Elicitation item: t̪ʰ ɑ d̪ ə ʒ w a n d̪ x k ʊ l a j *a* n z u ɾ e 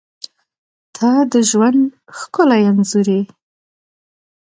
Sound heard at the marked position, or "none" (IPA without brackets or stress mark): a